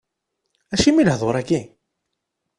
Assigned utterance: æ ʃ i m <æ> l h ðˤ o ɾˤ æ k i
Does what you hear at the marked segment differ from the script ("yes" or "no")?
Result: yes